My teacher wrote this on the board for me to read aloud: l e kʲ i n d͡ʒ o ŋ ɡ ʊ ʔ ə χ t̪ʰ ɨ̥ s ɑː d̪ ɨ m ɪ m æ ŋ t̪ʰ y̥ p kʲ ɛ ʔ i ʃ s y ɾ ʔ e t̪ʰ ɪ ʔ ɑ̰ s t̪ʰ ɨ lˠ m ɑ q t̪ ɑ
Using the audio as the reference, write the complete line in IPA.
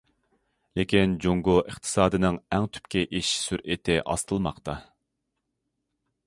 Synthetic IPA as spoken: l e kʲ i n d͡ʒ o ŋ ɡ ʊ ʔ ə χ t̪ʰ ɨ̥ s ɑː d̪ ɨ n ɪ ŋ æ ŋ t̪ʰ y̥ p kʲ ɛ ʔ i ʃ s y ɾ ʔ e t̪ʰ ɪ ʔ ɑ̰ s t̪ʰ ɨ lˠ m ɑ q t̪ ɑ

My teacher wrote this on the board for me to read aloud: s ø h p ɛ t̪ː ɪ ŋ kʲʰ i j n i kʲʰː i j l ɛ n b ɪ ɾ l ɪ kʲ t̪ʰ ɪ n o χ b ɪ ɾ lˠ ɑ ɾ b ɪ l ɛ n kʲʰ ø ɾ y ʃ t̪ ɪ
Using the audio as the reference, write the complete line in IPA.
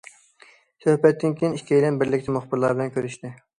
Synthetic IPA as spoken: s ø h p ɛ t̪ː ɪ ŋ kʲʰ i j n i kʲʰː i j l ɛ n b ɪ ɾ l ɪ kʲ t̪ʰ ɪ m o χ b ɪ ɾ lˠ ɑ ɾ b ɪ l ɛ n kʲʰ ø ɾ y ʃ t̪ ɪ

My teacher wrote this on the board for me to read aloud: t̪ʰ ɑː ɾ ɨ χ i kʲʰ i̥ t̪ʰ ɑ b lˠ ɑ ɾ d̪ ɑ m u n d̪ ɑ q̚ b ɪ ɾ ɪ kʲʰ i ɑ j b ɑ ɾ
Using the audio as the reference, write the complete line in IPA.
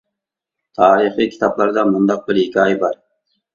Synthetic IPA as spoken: t̪ʰ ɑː ɾ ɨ χ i kʲʰ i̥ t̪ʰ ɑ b lˠ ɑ ɾ d̪ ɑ m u n d̪ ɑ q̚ b ɪ ɾ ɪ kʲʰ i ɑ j b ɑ ɾ

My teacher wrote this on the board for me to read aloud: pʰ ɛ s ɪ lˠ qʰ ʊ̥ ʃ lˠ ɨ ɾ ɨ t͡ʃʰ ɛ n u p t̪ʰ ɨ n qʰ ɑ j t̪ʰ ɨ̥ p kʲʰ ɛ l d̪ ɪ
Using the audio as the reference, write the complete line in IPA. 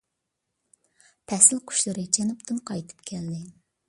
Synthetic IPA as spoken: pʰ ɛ s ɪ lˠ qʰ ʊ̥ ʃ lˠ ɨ ɾ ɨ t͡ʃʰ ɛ n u p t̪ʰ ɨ n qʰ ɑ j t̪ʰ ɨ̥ p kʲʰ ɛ l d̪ ɪ

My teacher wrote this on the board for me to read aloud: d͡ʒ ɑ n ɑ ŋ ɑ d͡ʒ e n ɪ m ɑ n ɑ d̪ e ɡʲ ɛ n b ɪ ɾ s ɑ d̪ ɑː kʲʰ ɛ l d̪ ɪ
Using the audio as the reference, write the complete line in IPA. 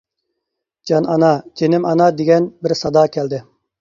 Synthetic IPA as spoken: d͡ʒ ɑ n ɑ n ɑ d͡ʒ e n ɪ m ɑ n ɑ d̪ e ɡʲ ɛ n b ɪ ɾ s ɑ d̪ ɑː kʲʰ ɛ l d̪ ɪ

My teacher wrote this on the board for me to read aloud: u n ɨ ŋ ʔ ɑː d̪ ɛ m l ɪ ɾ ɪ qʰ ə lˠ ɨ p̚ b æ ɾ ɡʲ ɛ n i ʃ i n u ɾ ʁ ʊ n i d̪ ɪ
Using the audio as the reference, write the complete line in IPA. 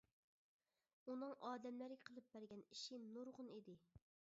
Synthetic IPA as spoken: u n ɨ ŋ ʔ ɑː d̪ ɛ m l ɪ ɾ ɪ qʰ ə lˠ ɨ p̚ b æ ɾ ɡʲ ɛ n i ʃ i n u ɾ ʁ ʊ n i d̪ ɪ

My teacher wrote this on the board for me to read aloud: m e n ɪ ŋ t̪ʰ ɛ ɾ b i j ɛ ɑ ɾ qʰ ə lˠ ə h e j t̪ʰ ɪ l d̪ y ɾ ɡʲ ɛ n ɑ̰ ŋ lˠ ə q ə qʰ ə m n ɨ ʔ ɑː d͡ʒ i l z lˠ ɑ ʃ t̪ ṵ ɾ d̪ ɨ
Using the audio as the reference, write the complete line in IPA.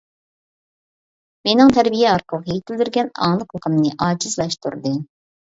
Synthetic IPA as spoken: m e n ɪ ŋ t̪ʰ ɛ ɾ b i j ɛ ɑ ɾ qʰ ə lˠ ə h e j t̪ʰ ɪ l d̪ y ɾ ɡʲ ɛ n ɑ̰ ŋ lˠ ə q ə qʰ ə m n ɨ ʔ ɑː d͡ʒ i z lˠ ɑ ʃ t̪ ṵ ɾ d̪ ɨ

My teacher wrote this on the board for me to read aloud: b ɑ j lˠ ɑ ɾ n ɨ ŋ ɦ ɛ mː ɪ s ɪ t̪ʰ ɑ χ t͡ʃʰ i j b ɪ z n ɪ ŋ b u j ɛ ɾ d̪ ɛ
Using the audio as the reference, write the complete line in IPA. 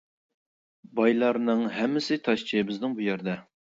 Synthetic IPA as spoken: b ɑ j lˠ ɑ ɾ n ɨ ŋ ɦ ɛ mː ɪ s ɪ t̪ʰ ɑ ʃ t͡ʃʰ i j b ɪ z n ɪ ŋ b u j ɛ ɾ d̪ ɛ

